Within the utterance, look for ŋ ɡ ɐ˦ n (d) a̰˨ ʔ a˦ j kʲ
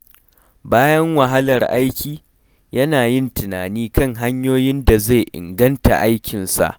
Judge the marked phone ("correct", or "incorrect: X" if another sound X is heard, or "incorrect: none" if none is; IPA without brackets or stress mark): incorrect: t